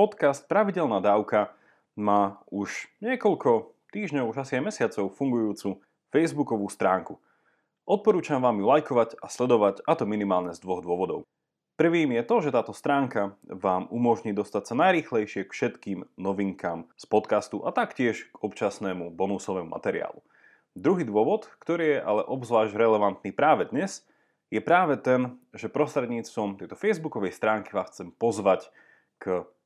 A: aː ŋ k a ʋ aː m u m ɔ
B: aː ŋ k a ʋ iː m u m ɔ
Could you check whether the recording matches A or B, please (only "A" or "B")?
A